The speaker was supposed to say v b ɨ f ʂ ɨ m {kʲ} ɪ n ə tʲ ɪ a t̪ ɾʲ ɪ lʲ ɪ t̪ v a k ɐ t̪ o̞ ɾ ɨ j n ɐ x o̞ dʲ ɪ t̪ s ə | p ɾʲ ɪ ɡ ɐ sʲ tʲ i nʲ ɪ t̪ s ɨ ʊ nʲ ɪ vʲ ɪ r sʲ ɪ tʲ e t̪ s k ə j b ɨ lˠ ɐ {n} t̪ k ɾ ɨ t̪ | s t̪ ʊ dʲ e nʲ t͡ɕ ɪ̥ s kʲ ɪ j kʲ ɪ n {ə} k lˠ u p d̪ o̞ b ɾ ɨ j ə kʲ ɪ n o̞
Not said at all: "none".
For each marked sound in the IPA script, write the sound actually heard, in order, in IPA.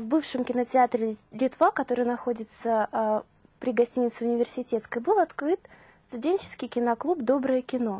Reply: kʲ, none, ɐ

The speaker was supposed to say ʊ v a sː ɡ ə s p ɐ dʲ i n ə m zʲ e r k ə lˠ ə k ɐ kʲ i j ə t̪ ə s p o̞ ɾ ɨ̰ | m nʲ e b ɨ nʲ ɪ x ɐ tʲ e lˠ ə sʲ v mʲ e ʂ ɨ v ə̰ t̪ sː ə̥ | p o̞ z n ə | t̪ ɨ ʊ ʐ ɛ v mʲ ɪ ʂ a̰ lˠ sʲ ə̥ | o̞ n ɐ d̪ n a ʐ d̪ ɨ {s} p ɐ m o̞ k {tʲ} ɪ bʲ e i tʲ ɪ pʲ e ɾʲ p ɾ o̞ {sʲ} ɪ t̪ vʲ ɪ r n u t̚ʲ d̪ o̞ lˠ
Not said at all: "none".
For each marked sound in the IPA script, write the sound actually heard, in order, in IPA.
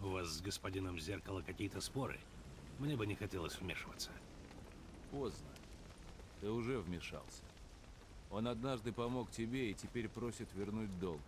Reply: none, tʲ, sʲ

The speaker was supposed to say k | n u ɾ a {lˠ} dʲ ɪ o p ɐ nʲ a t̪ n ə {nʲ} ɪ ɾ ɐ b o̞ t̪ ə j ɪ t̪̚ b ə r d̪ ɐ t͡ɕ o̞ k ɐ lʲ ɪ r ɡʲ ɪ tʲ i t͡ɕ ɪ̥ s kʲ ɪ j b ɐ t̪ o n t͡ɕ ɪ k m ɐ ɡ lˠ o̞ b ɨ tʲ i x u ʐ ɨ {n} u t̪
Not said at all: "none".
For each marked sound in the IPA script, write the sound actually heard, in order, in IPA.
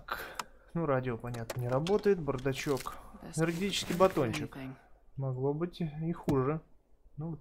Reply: none, nʲ, n

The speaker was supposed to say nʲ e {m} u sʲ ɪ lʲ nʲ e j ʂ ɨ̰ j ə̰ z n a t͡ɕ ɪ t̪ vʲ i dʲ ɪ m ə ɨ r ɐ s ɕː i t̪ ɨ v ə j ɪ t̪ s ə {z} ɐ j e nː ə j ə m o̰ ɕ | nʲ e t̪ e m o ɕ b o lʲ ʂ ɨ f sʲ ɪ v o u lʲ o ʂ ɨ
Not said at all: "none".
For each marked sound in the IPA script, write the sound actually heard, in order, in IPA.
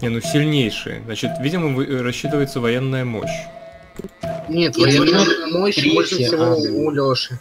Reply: n, v

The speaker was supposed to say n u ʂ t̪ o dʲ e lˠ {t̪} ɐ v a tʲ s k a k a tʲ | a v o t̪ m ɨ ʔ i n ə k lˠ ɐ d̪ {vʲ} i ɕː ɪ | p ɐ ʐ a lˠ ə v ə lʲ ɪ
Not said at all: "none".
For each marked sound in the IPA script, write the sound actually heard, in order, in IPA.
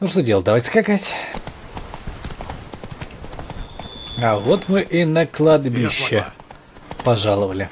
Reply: d̪, bʲ

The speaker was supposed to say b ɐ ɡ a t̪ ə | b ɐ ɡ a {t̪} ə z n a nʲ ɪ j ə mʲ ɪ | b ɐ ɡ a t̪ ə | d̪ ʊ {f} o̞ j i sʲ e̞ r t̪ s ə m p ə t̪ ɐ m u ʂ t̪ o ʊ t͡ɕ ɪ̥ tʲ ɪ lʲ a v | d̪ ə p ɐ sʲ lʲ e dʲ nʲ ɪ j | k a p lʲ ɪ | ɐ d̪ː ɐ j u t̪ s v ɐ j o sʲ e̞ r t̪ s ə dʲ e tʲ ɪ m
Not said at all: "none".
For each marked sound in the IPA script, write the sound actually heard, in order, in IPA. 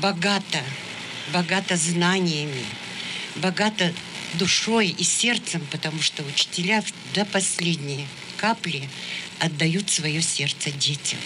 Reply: t̪, ʂ

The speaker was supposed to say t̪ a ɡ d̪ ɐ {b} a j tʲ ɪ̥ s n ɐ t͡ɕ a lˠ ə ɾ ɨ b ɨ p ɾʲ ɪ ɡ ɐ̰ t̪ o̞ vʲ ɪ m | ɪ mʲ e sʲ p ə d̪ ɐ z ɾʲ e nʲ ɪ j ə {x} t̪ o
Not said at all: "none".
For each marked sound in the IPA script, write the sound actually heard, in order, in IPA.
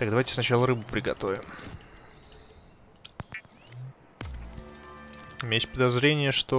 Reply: v, ʂ

